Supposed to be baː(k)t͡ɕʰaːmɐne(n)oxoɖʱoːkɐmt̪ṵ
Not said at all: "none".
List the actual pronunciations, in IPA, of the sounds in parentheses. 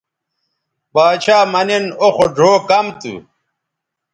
none, n

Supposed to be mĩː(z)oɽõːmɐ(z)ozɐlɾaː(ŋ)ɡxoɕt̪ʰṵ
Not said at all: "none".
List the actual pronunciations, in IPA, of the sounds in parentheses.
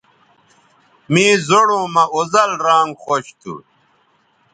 z, none, ŋ

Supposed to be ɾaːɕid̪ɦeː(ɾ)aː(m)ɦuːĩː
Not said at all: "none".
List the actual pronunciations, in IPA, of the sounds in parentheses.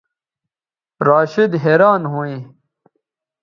ɾ, n

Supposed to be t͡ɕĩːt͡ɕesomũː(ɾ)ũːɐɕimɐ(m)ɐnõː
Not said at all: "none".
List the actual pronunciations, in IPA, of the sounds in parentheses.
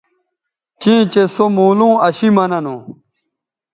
l, n

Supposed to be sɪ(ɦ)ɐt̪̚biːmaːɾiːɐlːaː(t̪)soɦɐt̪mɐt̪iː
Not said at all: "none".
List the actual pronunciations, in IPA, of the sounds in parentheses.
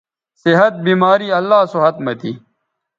ɦ, none

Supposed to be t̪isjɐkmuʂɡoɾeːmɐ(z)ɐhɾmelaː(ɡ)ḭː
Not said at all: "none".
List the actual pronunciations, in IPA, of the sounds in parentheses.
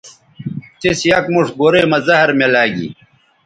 z, ɡ

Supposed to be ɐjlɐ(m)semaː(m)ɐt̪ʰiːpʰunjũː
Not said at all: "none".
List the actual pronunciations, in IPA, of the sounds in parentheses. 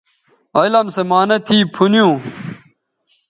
m, n

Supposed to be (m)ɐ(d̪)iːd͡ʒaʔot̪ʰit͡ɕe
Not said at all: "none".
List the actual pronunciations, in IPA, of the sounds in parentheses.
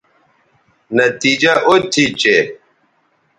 n, t̪

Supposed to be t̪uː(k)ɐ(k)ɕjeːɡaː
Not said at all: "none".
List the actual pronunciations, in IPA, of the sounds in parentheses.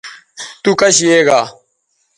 k, none

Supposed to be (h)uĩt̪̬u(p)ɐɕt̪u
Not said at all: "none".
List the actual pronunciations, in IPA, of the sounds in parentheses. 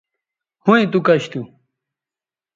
h, k

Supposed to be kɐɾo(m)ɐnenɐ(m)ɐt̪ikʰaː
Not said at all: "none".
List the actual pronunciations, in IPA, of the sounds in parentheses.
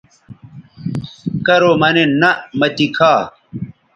m, m

